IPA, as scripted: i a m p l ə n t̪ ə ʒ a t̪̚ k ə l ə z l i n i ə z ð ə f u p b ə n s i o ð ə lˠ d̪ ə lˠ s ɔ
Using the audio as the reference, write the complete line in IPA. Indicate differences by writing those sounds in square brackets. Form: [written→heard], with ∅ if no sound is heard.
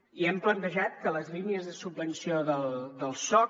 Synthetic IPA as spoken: i [a→ɛ] m p l ə n t̪ ə ʒ a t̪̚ k ə l ə z l i n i ə z ð ə [f→s] u [p→b] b ə n s i o ð ə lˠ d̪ ə lˠ s ɔ